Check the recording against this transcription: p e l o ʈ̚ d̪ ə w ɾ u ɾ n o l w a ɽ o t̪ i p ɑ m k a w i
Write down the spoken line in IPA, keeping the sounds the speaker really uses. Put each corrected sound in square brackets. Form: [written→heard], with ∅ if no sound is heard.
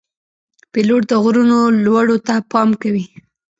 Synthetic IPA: p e l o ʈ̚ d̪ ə [w→ɣ] ɾ u [ɾ→∅] n o l w a ɽ o t̪ [i→a] p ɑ m k a w i

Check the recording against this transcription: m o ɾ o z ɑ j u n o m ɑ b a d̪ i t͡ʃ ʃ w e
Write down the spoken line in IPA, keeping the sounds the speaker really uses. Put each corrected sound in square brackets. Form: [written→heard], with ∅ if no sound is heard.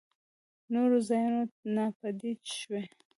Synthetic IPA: [m→n] o ɾ o z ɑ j u n o [m→n] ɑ [b→p] a d̪ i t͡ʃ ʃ w e

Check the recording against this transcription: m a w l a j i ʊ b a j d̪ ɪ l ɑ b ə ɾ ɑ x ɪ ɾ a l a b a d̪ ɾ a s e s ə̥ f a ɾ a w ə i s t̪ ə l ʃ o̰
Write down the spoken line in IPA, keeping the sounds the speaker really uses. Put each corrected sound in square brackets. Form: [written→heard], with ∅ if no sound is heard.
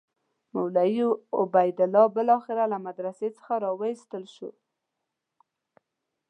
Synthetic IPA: m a w l a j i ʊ b a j d̪ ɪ l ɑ b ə [ɾ→l] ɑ x ɪ ɾ a l a [b→m] a d̪ ɾ a s e [s→t͡s] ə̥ [f→x] a ɾ [a→ɑ] w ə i s t̪ ə l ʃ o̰

